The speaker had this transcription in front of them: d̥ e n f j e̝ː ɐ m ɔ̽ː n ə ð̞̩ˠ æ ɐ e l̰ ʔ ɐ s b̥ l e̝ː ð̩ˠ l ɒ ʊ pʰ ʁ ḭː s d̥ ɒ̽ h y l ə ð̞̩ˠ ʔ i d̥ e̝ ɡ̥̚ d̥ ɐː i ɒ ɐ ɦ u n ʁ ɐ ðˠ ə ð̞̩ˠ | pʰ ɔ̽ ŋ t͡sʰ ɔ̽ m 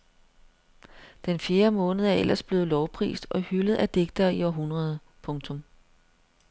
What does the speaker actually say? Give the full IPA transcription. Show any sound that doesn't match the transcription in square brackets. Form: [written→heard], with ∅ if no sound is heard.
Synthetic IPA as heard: d̥ e n f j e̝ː ɐ m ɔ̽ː n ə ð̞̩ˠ æ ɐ e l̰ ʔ ɐ s b̥ l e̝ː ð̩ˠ l ɒ ʊ pʰ ʁ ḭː s d̥ ɒ̽ h y l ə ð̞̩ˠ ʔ [i→æ] d̥ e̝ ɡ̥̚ d̥ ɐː i ɒ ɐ ɦ u n ʁ ɐ ðˠ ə [ð̞̩ˠ→∅] | pʰ ɔ̽ ŋ t͡sʰ ɔ̽ m

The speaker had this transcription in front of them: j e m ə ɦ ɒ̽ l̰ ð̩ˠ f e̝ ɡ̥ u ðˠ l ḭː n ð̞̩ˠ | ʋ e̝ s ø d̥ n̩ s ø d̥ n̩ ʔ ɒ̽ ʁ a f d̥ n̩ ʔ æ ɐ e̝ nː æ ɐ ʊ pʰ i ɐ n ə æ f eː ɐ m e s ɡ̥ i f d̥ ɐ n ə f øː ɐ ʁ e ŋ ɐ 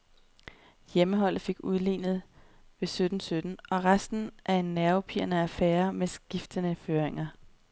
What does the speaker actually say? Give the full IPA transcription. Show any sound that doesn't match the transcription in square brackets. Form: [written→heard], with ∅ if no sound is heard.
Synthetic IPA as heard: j e m ə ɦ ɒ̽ l̰ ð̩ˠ f e̝ ɡ̥ u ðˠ l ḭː n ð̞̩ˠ | ʋ e̝ s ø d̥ n̩ s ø d̥ n̩ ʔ ɒ̽ ʁ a [f→s] d̥ n̩ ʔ æ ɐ e̝ nː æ ɐ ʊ pʰ i ɐ n ə æ f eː ɐ m e s ɡ̥ i f d̥ [ɐ→ə] n ə f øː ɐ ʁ e ŋ ɐ

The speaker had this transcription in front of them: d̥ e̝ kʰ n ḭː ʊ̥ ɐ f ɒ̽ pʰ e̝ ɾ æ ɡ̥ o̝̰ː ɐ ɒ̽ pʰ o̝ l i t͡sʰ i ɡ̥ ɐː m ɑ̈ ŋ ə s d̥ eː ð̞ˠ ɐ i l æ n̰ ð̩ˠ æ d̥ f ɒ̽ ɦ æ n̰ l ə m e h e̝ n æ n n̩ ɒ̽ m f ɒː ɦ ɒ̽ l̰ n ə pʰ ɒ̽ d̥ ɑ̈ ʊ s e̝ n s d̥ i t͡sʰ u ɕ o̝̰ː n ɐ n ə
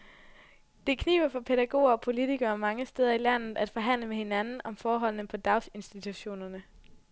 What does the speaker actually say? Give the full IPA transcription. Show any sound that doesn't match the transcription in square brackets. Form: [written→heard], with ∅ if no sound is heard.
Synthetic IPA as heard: d̥ e̝ kʰ n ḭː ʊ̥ ɐ f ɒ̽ pʰ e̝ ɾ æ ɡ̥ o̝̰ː ɐ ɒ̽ pʰ o̝ l i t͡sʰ i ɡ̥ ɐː m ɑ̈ ŋ ə s d̥ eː ð̞ˠ ɐ i l æ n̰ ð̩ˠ æ d̥ f ɒ̽ ɦ æ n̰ l ə m e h e̝ n æ n n̩ ɒ̽ m f ɒː ɦ ɒ̽ l̰ n ə pʰ ɒ̽ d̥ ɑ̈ ʊ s e̝ n s d̥ i t͡sʰ u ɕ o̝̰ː n ɐ n ə

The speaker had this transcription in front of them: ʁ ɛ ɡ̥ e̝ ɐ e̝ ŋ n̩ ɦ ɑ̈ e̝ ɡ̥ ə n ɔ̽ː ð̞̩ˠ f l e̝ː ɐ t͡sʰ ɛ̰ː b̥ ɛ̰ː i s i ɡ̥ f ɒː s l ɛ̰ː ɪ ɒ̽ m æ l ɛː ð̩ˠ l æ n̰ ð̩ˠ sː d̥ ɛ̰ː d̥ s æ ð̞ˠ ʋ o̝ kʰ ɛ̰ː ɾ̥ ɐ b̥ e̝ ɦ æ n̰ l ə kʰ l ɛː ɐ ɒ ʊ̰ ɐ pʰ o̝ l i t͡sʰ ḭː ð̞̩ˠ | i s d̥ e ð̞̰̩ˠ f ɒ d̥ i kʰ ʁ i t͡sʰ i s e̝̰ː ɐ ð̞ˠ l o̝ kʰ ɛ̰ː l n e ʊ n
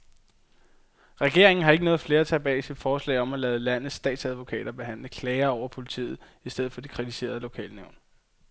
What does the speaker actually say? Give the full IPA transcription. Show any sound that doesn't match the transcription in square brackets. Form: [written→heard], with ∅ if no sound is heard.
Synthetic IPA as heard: ʁ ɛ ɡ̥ e̝ ɐ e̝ ŋ n̩ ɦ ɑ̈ e̝ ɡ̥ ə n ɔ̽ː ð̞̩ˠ f l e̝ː ɐ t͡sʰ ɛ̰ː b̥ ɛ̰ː i s i [ɡ̥→d̥] f ɒː s l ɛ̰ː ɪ ɒ̽ m æ l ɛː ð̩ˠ l æ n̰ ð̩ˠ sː d̥ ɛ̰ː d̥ s æ ð̞ˠ ʋ o̝ kʰ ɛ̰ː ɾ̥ ɐ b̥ e̝ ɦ æ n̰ l ə kʰ l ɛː ɐ ɒ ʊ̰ ɐ pʰ o̝ l i t͡sʰ ḭː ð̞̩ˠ | i s d̥ e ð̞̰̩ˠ f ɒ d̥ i kʰ ʁ i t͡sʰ i s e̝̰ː ɐ ð̞ˠ l o̝ kʰ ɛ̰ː l n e ʊ n

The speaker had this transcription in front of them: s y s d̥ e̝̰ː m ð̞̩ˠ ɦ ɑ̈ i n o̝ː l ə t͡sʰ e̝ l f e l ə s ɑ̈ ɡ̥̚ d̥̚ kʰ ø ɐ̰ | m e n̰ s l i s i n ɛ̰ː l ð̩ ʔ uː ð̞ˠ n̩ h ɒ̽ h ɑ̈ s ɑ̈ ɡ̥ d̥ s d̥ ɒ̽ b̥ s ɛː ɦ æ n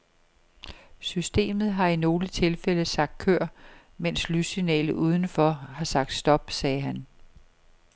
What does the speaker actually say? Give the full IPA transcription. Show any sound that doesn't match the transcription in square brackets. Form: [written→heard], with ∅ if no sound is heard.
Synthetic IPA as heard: s y s d̥ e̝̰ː m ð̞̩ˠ ɦ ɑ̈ i n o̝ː l ə t͡sʰ e̝ l f e l ə s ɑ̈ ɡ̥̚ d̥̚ kʰ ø ɐ̰ | m e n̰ s l [i→y] s i n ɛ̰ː l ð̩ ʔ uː ð̞ˠ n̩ [h→f] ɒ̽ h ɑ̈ s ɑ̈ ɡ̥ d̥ s d̥ ɒ̽ b̥ s ɛː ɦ æ n

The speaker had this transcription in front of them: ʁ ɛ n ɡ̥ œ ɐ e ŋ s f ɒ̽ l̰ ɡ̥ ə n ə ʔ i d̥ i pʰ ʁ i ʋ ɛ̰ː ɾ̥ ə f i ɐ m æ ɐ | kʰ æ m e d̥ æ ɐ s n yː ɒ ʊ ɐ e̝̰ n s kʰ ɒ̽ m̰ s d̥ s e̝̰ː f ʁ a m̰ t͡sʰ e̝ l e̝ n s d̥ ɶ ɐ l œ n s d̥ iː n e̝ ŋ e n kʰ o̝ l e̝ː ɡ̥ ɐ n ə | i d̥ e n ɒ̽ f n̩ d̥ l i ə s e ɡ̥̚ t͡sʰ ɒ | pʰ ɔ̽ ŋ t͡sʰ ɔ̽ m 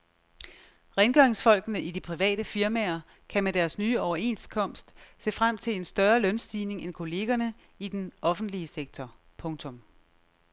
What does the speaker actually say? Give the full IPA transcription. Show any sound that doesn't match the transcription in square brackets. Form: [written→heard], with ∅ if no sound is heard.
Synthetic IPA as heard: ʁ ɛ n ɡ̥ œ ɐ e ŋ s f ɒ̽ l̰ ɡ̥ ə n ə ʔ i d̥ i pʰ ʁ i ʋ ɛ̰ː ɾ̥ ə f i ɐ m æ ɐ | kʰ æ m e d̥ æ ɐ s n yː ɒ ʊ ɐ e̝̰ n s kʰ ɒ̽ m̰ s d̥ s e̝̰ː f ʁ a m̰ t͡sʰ e̝ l e̝ n s d̥ ɶ ɐ l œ n s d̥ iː n e̝ ŋ e n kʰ o̝ l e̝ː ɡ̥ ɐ n ə | i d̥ e n ɒ̽ f n̩ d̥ l i ə s e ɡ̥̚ t͡sʰ ɒ | pʰ ɔ̽ ŋ t͡sʰ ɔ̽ m

